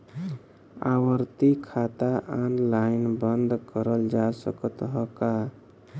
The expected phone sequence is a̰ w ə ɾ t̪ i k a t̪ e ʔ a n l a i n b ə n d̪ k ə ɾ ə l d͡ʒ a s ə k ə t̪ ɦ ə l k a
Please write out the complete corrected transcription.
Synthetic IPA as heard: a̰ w ə ɾ t̪ i kʰ a t̪ a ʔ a n l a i n b ə n d̪ k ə ɾ ə l d͡ʒ a s ə k ə t̪ ɦ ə k a